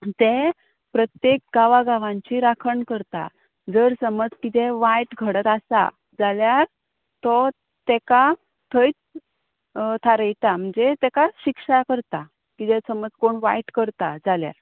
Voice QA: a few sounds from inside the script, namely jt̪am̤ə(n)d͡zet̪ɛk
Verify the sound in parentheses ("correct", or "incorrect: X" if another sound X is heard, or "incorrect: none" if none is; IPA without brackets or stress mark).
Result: incorrect: ɳ